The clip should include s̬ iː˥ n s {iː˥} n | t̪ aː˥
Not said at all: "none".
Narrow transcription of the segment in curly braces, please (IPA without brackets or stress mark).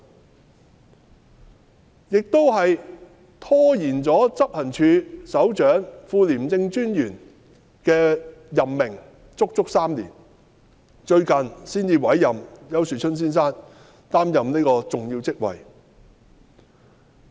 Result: aː˥